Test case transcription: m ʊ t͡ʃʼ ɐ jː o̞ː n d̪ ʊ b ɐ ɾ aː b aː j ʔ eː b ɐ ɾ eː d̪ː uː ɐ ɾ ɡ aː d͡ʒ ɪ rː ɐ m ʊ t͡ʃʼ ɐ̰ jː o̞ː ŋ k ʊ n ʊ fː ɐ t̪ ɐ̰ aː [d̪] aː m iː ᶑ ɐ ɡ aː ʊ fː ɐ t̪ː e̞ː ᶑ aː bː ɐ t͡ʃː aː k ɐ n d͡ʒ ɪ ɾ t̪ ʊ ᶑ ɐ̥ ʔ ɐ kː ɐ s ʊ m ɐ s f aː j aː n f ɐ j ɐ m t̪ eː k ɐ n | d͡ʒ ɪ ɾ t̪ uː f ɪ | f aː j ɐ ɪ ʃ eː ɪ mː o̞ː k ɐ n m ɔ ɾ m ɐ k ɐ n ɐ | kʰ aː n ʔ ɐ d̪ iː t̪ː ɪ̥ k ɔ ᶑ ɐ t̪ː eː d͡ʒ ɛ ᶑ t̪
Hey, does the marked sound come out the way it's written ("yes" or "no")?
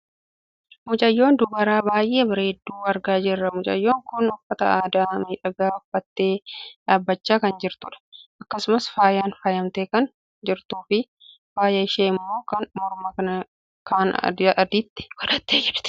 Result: yes